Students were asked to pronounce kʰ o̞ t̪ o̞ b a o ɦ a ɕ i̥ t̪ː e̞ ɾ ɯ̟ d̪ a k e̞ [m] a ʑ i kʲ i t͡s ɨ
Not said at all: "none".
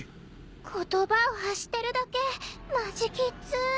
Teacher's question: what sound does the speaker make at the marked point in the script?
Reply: m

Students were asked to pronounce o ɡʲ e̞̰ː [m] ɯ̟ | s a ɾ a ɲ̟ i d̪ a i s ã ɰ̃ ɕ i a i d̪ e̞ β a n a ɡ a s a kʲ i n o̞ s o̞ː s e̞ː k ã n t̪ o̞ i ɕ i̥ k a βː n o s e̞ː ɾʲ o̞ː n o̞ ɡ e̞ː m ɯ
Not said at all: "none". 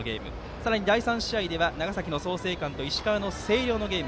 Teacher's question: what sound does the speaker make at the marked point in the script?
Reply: m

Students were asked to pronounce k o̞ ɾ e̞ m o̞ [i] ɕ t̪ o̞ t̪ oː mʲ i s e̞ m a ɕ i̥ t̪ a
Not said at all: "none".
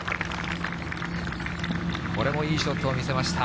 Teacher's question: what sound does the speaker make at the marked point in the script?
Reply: iː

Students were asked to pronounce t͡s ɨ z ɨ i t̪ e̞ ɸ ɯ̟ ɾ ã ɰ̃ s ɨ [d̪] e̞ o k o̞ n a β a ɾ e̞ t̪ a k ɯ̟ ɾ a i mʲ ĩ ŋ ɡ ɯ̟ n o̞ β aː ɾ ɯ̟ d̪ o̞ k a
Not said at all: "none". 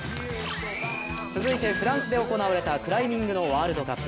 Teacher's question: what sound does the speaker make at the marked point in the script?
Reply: d̪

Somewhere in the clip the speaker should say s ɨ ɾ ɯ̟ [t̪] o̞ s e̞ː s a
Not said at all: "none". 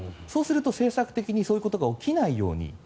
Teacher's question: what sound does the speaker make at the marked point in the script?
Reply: t̪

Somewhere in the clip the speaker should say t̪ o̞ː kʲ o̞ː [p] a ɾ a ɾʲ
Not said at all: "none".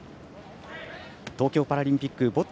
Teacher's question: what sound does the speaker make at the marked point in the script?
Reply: p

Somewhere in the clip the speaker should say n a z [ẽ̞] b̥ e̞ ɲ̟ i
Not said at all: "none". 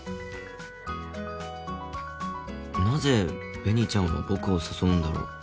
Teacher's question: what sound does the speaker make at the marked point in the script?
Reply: e̞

